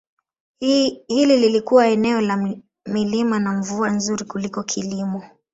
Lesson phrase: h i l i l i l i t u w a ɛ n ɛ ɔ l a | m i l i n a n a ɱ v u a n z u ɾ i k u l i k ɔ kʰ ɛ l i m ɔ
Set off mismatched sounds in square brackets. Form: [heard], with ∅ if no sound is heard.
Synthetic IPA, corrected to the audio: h i l i l i l i [k] u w a ɛ n ɛ ɔ l a | m i l i [m] a n a ɱ v u a n z u ɾ i k u l i k ɔ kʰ [i] l i m ɔ